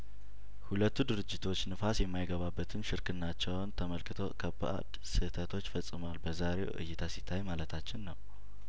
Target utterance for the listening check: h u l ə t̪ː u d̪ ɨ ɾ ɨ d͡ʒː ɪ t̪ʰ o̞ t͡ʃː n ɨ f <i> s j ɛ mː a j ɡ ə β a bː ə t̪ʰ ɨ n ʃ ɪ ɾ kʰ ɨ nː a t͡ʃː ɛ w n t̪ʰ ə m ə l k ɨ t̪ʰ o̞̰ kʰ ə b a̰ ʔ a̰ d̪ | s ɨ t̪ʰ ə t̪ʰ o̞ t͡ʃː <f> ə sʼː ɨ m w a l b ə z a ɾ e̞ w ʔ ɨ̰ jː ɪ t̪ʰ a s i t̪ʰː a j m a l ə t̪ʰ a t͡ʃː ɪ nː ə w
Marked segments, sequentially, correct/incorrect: incorrect, correct

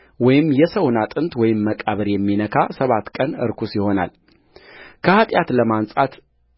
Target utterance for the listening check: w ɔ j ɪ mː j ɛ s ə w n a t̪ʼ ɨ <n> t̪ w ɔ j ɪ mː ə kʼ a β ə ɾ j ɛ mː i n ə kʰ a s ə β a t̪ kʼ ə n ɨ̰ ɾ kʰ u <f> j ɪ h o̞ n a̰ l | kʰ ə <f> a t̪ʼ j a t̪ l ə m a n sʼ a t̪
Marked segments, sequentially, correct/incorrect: correct, incorrect, incorrect

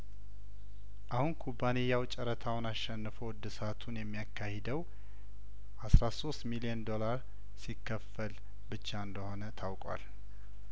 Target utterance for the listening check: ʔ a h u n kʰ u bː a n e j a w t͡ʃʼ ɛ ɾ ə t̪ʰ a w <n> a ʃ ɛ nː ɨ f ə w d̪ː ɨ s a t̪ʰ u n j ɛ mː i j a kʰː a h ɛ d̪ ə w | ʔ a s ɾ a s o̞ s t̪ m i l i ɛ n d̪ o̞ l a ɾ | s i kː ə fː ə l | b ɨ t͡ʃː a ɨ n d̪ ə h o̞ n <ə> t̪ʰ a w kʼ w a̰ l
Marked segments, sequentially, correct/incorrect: correct, correct

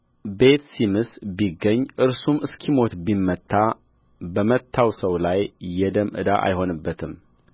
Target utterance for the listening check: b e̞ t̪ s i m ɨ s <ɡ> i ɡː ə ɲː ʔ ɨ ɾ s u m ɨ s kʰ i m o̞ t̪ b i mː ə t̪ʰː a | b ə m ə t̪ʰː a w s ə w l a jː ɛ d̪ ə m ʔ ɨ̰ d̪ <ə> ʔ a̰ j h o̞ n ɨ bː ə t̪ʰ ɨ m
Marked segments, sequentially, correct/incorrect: incorrect, incorrect

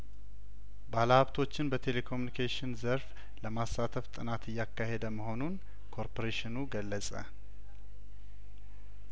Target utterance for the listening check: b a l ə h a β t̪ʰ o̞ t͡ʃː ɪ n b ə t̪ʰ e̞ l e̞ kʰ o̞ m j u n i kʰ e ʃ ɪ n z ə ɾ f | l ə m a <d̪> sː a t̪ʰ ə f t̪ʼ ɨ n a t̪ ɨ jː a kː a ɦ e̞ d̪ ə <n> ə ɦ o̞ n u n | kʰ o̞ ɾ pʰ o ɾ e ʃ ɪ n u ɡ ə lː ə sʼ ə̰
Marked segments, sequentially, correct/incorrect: incorrect, incorrect

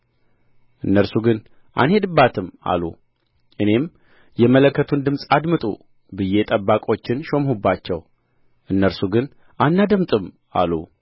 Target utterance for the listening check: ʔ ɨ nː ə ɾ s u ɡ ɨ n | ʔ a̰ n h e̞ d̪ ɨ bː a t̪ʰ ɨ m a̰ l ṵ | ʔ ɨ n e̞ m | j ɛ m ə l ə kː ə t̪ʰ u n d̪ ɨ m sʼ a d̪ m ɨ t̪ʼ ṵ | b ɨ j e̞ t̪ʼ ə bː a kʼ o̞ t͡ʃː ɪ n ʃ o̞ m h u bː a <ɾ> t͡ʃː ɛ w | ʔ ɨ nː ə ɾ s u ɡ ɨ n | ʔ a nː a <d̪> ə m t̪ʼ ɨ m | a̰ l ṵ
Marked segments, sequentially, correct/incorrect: incorrect, correct

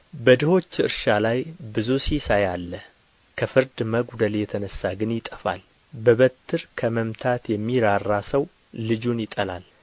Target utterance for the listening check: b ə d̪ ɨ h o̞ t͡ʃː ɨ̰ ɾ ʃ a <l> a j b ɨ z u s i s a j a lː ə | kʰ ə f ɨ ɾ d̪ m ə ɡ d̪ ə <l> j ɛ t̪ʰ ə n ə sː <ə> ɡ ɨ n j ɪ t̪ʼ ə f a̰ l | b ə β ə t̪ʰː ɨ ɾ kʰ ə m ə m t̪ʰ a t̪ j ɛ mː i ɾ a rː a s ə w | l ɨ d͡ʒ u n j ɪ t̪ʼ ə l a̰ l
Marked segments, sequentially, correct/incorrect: correct, correct, incorrect

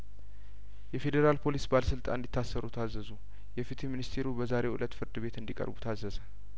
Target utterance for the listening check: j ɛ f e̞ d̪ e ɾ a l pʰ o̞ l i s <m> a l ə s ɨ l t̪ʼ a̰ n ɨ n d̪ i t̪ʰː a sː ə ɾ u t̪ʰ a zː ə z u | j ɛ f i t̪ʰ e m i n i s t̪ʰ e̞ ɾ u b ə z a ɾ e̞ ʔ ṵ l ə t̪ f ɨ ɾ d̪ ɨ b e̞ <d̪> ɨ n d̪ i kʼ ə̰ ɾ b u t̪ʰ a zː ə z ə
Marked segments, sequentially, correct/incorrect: incorrect, incorrect

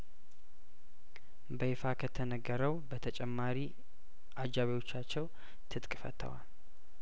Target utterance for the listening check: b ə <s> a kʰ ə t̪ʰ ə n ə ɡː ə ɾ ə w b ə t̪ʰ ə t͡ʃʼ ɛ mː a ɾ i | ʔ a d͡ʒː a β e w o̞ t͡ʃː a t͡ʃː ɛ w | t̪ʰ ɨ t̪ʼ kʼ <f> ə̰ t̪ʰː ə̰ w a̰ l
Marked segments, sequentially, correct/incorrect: incorrect, correct

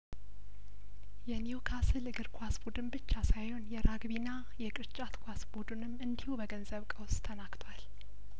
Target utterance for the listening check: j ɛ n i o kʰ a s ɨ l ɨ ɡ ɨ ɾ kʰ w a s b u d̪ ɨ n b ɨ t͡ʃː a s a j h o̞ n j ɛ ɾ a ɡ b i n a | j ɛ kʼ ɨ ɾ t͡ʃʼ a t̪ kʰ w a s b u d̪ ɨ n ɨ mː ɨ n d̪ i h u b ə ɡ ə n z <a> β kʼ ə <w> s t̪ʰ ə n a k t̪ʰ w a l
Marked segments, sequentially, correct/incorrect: incorrect, correct

